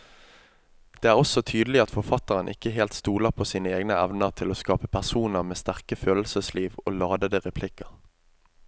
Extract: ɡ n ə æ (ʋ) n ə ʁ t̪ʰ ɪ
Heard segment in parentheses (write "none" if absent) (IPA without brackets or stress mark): ʋ